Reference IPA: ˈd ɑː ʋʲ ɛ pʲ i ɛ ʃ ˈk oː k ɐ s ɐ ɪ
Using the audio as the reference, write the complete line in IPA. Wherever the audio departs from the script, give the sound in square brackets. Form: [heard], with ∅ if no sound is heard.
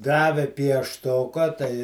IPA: ˈd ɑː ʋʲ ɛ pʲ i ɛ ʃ [ˈt] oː k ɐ [t] ɐ ɪ